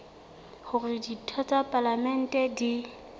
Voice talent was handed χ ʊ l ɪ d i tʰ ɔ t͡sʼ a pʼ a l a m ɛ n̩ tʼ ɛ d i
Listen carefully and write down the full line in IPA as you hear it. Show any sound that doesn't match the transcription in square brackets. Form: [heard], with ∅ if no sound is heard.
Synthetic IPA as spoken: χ ʊ [r] ɪ d i tʰ ɔ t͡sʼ a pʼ a l a m ɛ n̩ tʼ ɛ d i